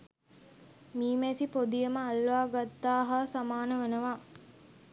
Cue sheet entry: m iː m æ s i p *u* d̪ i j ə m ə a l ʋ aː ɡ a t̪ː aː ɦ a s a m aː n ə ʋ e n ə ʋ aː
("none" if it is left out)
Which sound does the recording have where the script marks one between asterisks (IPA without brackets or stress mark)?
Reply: o